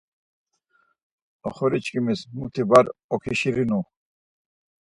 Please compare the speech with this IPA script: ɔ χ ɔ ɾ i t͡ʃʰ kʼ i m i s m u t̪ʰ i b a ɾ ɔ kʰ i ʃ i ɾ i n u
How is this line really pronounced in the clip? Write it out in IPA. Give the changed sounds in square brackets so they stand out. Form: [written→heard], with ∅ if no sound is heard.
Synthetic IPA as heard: ɔ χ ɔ ɾ i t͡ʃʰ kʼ i m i s m u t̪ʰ i b a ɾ ɔ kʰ i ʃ i ɾ i n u